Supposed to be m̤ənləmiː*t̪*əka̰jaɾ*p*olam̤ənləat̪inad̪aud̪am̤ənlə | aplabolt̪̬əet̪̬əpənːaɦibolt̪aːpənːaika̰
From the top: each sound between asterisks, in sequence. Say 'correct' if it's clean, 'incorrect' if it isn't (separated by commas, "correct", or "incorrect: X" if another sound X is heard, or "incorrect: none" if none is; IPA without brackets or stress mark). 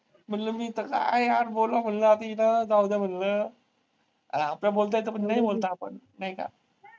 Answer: correct, incorrect: b